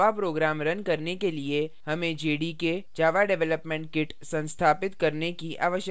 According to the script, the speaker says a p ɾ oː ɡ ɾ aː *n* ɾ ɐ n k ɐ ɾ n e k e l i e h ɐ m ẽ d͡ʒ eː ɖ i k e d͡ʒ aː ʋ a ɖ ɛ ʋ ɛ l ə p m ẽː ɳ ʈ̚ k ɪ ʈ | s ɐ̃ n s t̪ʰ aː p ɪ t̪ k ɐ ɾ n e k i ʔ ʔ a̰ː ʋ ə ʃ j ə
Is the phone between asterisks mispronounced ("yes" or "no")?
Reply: yes